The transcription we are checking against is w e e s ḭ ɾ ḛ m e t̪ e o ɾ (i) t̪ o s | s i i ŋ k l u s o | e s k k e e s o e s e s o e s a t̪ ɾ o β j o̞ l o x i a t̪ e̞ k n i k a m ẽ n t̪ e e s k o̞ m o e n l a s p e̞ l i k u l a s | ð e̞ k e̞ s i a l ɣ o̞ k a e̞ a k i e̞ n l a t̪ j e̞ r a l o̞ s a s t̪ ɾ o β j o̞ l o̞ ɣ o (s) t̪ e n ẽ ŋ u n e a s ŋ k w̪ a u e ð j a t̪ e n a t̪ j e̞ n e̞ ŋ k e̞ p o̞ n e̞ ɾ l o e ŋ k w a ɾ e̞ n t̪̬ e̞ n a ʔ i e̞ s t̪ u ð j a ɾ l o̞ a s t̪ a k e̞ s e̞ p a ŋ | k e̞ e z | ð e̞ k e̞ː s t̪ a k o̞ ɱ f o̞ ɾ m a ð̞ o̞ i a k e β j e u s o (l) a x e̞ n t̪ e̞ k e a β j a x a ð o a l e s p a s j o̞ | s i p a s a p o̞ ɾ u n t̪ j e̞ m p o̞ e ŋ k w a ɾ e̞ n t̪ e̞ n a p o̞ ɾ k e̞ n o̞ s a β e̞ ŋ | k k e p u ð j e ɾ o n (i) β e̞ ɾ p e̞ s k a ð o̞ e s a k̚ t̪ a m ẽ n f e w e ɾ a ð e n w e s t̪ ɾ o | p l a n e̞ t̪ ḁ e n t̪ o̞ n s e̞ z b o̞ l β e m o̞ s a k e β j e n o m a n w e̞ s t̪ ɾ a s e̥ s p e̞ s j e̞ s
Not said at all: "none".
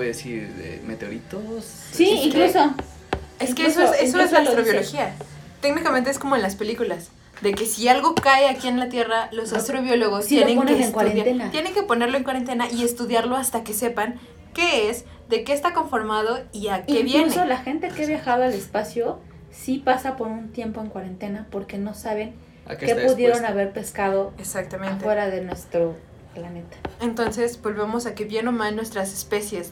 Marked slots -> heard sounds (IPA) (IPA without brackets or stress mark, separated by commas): i, s, l, a